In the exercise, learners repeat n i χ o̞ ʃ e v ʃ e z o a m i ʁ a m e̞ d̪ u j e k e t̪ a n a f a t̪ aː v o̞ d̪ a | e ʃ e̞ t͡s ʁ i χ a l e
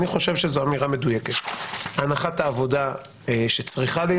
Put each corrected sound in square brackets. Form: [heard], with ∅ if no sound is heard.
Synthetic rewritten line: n i χ o̞ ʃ e v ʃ e z o a m i ʁ a m e̞ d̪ u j e k e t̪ a n a [χ] a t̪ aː v o̞ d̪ a | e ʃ e̞ t͡s ʁ i χ a l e